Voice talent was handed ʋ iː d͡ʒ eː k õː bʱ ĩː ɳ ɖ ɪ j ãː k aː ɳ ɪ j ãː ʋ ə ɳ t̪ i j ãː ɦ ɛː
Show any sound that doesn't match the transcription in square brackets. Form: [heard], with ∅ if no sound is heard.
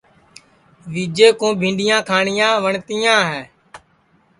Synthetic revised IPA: ʋ iː d͡ʒ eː k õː bʱ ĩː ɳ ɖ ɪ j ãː [kʰ] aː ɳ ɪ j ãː ʋ ə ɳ t̪ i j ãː ɦ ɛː